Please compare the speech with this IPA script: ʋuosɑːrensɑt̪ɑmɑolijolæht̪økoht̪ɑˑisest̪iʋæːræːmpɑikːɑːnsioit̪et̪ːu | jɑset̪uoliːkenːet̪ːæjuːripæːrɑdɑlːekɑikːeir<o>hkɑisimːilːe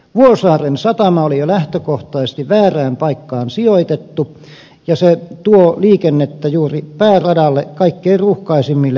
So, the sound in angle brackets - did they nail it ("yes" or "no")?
no